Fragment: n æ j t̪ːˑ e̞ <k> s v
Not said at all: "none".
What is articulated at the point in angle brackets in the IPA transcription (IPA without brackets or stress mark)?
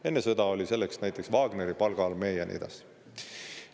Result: k